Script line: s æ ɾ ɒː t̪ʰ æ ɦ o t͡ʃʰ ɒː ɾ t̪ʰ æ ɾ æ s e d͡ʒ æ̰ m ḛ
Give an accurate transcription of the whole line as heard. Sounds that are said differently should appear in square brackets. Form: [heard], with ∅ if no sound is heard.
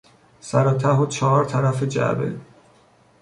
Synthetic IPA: s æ ɾ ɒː t̪ʰ æ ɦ o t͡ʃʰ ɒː ɾ t̪ʰ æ ɾ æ [f] e d͡ʒ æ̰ [b] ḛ